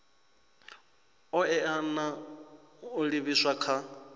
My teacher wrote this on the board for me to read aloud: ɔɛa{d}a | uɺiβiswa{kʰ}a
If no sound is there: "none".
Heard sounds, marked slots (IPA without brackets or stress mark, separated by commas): n, kʰ